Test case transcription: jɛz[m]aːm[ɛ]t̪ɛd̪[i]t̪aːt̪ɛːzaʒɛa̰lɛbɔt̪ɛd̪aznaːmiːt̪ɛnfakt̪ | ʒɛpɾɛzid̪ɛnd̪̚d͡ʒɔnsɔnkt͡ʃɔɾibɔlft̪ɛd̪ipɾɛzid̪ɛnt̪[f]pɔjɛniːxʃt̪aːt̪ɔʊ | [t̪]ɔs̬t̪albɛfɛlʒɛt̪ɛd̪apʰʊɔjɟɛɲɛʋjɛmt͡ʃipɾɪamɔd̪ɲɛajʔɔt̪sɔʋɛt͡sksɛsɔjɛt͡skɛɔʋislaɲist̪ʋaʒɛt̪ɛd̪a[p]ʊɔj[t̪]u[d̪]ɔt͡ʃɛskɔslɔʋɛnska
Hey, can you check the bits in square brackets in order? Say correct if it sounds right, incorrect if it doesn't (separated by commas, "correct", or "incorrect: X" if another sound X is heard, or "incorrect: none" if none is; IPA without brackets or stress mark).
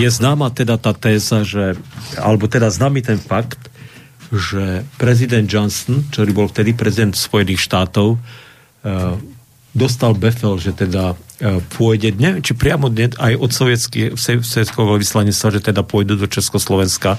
incorrect: n, incorrect: a, incorrect: a, incorrect: s, incorrect: d̪, correct, incorrect: d̪, correct